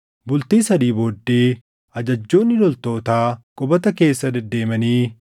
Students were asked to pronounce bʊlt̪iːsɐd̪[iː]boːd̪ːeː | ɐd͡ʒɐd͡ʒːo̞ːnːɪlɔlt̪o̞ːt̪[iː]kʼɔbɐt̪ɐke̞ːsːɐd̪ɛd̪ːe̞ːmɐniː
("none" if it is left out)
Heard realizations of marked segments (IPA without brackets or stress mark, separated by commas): iː, aː